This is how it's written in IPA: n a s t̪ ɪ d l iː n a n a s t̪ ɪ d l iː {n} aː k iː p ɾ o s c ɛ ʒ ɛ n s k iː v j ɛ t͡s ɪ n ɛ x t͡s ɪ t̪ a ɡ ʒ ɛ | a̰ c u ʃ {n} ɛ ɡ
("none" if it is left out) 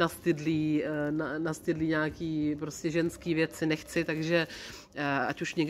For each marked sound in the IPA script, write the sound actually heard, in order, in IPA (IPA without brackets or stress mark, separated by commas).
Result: ɲ, ɲ